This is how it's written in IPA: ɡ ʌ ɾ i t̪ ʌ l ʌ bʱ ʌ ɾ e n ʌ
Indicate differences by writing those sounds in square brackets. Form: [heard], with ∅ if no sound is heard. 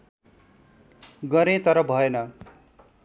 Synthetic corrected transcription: ɡ ʌ ɾ [e] t̪ ʌ [ɾ] ʌ bʱ ʌ [∅] e n ʌ